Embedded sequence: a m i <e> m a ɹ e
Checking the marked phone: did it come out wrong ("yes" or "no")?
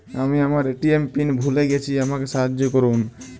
yes